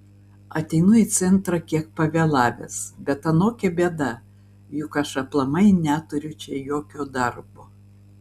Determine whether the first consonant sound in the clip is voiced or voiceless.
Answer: voiceless